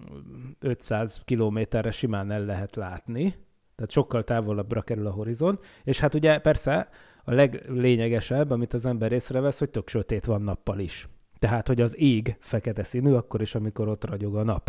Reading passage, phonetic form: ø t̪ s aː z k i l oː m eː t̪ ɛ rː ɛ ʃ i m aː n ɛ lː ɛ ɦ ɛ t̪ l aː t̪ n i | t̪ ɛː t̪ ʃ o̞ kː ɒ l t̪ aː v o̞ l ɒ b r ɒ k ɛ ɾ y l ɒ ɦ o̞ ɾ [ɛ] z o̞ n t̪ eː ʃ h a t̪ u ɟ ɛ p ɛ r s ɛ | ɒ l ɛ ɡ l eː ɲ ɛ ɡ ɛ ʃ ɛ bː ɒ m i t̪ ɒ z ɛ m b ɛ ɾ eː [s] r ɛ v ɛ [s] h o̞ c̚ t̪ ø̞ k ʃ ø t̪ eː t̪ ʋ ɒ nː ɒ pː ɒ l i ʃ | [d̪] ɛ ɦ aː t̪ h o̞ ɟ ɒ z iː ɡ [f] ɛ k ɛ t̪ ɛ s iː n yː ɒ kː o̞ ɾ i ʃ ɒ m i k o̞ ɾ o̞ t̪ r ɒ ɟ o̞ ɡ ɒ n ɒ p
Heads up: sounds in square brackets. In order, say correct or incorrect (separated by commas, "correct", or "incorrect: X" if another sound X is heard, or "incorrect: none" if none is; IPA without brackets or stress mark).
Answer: incorrect: i, correct, correct, incorrect: t̪, correct